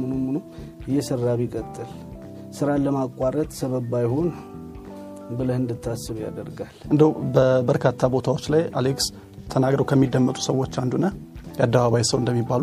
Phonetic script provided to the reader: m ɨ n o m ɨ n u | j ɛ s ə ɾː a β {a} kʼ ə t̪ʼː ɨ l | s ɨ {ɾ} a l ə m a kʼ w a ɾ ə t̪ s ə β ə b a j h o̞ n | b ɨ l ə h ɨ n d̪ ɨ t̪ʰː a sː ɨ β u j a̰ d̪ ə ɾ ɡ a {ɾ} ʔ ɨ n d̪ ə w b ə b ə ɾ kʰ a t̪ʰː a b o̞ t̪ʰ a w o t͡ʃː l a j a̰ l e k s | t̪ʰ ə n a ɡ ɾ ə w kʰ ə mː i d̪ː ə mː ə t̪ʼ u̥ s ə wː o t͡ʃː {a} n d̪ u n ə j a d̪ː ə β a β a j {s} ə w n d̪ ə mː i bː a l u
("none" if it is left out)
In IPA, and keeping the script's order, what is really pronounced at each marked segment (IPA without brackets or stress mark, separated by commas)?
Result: i, ɾ, l, a, s